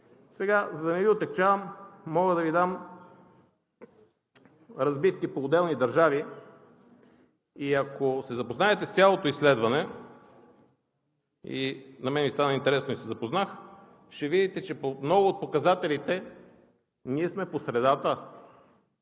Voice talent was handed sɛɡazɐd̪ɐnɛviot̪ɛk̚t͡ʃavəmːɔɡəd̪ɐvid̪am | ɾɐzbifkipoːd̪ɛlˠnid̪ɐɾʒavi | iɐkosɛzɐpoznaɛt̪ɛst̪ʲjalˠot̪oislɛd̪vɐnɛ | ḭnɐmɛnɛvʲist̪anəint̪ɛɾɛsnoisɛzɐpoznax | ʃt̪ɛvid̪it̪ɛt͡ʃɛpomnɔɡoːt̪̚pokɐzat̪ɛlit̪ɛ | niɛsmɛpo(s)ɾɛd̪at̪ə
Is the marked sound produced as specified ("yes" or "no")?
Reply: yes